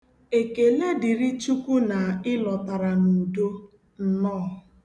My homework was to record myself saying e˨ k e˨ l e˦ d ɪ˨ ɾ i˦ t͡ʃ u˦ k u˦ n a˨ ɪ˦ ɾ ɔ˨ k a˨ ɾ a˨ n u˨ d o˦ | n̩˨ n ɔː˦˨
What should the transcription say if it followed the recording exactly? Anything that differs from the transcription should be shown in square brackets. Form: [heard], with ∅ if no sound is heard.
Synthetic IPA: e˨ k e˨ l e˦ d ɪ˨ ɾ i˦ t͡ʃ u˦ k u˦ n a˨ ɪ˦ [l] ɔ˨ [t] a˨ ɾ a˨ n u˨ d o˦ | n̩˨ n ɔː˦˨